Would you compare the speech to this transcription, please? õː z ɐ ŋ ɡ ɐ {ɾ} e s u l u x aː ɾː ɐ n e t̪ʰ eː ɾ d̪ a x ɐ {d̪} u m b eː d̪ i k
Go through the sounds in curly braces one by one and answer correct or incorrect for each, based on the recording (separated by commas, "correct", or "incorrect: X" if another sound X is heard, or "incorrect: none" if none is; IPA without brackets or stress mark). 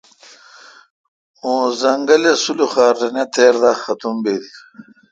incorrect: l, incorrect: t̪